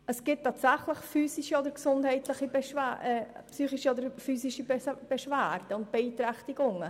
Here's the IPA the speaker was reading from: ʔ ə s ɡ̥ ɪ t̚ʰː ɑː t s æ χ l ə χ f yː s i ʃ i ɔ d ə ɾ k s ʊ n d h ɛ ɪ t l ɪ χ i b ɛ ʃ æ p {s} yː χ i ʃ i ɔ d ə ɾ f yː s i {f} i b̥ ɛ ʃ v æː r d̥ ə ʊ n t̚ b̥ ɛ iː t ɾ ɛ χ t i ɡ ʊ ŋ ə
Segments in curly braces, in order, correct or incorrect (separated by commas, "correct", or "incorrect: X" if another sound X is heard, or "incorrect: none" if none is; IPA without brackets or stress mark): correct, incorrect: ʃ